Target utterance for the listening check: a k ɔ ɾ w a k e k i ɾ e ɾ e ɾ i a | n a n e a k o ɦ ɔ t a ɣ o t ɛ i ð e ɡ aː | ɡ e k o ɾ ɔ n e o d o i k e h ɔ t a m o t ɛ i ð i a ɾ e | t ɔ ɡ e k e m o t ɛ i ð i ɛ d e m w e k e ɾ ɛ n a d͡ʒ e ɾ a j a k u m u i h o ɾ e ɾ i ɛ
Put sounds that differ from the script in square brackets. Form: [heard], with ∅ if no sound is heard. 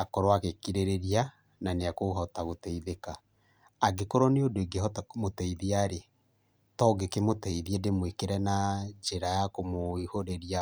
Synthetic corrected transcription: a k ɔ ɾ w a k e k i ɾ e ɾ e ɾ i a | n a n e a k o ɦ ɔ t a ɣ o t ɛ i ð e [k] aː | ɡ e k o ɾ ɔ n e o d o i [ɡ] e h ɔ t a m o t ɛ i ð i a ɾ e | t ɔ ɡ e k e m o t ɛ i ð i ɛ d e m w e k e ɾ ɛ n a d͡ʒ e ɾ a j a k [o] m [o] i h o ɾ e ɾ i [a]